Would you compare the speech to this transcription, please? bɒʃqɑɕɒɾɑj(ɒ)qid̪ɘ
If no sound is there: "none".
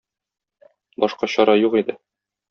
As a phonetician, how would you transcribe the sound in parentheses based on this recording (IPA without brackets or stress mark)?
u